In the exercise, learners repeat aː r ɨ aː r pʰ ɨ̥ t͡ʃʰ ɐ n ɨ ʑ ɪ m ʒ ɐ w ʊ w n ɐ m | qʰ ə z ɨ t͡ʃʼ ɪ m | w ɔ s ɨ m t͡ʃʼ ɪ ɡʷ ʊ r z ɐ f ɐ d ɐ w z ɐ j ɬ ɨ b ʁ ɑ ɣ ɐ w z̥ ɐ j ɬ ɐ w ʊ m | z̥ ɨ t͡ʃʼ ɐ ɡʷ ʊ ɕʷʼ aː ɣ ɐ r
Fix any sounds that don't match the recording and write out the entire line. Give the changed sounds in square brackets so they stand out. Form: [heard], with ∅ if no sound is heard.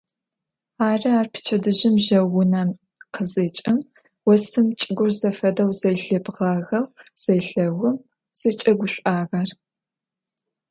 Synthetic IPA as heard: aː r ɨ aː r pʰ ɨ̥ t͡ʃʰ ɐ [d] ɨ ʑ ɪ m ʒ ɐ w ʊ [∅] n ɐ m | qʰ ə z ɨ t͡ʃʼ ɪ m | w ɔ s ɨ m t͡ʃʼ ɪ ɡʷ ʊ r z ɐ f ɐ d ɐ w z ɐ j ɬ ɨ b ʁ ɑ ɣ ɐ w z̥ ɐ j ɬ ɐ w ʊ m | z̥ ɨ t͡ʃʼ ɐ ɡʷ ʊ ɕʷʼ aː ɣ ɐ r